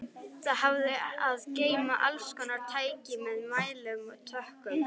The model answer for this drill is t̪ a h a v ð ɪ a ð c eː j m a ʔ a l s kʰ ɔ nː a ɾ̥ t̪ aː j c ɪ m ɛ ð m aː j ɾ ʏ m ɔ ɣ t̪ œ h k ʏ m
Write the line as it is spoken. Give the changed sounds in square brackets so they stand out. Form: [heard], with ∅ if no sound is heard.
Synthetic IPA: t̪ a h a v ð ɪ a ð c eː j m a ʔ a l s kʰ ɔ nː a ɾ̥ [t̪ʰ] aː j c ɪ m ɛ ð m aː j [l] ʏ m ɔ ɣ [t̪ʰ] œ h k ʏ m

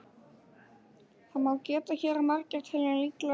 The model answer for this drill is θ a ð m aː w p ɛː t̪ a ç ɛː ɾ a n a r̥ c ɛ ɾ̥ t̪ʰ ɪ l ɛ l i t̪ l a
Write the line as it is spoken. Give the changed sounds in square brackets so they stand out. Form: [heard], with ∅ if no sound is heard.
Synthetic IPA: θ a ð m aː w [c] ɛː t̪ a ç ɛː ɾ a [m] a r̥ c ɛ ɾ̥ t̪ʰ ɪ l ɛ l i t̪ l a

